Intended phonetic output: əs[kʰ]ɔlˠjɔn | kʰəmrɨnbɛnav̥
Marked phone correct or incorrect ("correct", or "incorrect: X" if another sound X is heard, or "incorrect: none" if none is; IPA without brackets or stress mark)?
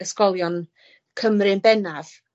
incorrect: k